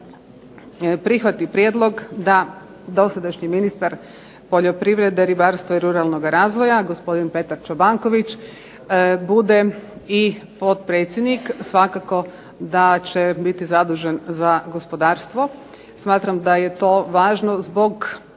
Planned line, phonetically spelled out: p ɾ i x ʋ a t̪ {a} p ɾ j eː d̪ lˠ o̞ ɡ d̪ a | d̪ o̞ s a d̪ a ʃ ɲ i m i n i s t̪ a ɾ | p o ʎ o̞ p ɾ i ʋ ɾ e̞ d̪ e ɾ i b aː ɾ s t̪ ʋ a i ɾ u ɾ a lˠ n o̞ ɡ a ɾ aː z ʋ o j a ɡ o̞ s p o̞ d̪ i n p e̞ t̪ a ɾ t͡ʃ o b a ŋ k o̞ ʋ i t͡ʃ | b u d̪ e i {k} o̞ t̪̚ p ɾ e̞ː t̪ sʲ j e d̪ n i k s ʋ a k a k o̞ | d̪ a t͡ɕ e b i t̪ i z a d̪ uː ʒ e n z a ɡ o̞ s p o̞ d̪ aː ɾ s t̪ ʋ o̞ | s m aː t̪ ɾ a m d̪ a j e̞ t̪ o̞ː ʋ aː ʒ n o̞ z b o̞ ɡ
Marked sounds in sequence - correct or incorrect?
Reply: incorrect, incorrect

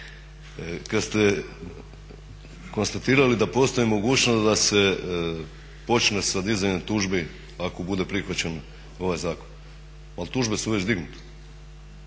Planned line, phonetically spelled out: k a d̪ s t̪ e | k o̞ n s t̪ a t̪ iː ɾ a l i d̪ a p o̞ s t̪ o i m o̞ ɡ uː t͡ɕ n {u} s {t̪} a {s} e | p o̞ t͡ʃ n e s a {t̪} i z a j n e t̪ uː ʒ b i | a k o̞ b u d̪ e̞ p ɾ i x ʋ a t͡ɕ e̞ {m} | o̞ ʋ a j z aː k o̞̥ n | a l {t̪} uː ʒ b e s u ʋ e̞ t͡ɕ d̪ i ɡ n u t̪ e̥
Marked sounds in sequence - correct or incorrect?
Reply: incorrect, incorrect, correct, incorrect, incorrect, correct

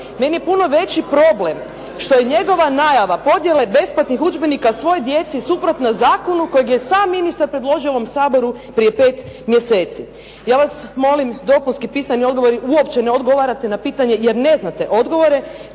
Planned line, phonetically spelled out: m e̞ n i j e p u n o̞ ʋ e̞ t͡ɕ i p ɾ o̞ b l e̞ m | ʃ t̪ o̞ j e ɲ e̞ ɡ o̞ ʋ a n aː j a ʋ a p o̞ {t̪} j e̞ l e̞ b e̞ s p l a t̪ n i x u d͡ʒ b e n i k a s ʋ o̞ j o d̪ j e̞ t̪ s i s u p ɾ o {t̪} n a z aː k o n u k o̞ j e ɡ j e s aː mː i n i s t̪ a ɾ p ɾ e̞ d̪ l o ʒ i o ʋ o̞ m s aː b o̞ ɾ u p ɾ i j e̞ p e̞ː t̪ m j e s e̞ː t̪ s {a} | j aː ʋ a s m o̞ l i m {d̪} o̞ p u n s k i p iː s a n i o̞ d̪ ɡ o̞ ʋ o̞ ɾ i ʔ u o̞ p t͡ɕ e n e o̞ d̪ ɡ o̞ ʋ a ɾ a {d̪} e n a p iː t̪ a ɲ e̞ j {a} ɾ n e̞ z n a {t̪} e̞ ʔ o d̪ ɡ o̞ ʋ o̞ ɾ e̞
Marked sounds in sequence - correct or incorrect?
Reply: incorrect, correct, incorrect, correct, incorrect, incorrect, correct

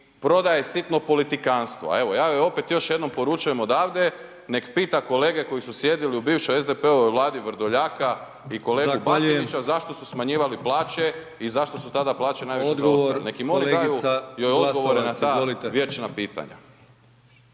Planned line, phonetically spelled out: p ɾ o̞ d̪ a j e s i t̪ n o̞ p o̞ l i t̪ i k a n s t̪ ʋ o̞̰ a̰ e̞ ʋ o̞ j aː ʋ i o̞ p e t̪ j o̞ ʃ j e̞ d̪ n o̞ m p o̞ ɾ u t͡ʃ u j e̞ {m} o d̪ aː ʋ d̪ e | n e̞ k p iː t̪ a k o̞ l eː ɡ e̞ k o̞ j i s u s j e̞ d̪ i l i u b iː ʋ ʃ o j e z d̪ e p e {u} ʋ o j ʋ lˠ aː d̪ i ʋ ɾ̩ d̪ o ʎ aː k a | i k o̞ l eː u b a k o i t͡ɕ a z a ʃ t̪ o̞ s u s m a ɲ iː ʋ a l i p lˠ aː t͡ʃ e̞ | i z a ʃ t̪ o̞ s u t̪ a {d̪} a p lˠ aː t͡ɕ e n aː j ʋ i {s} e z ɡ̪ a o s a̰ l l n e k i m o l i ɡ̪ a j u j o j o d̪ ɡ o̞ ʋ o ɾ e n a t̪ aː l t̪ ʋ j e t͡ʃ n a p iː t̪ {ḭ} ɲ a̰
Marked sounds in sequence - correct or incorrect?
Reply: correct, incorrect, correct, incorrect, incorrect

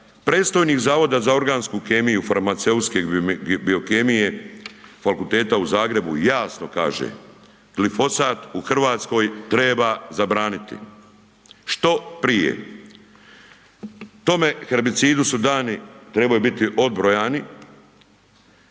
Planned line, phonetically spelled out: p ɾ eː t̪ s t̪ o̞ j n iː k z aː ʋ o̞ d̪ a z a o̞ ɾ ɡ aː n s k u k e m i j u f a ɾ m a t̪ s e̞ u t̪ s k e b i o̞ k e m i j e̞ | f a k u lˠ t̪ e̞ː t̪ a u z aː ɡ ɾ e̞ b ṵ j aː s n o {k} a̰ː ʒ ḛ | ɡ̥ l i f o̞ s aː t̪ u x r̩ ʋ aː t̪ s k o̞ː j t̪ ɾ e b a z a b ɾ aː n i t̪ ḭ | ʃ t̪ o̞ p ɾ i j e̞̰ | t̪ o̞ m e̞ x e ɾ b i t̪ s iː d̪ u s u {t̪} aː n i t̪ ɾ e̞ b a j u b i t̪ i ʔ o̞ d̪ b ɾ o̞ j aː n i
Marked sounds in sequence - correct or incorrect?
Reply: correct, incorrect

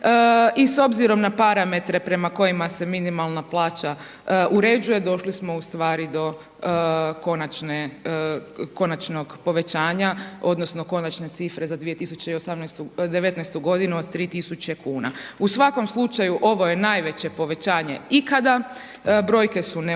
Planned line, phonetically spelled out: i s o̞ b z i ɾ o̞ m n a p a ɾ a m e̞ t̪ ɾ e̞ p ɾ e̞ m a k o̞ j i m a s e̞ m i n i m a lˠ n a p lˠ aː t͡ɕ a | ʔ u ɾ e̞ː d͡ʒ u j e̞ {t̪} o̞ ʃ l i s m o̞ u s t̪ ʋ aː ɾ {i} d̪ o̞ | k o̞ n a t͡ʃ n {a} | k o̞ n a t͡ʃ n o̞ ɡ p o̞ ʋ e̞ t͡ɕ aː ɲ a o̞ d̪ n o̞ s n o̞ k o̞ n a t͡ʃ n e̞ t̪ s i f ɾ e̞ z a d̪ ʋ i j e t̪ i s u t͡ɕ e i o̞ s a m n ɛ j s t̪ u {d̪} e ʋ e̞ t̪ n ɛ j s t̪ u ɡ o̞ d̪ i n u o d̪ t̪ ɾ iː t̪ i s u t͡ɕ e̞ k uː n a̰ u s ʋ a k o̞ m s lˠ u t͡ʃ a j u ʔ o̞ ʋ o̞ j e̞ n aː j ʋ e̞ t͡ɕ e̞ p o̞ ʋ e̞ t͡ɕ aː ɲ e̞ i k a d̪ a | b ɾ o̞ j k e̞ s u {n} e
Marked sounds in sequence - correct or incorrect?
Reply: incorrect, correct, incorrect, correct, correct

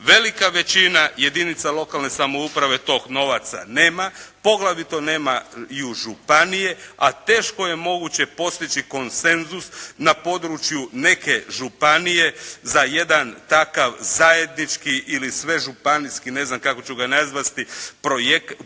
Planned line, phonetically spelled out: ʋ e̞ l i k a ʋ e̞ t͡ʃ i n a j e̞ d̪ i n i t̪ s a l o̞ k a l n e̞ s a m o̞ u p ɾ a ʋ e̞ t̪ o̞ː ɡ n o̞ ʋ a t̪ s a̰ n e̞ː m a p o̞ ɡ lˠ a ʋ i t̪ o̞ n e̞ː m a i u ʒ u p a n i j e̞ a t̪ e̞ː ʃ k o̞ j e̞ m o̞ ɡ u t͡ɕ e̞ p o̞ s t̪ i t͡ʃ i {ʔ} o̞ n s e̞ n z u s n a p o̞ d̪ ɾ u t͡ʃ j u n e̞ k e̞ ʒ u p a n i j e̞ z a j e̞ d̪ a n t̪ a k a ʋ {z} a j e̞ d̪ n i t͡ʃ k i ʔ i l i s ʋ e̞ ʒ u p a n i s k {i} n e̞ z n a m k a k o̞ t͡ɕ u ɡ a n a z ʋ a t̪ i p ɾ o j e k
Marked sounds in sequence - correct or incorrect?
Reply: incorrect, correct, correct

